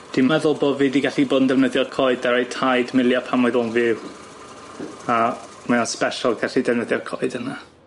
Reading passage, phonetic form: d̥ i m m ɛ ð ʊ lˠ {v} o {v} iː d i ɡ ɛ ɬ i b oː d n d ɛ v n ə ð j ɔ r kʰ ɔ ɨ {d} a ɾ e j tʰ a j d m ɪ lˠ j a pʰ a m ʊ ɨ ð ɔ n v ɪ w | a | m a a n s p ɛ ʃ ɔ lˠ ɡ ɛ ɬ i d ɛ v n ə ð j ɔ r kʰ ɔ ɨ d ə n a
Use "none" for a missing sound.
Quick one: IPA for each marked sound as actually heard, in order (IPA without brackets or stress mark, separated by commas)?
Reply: b, v, d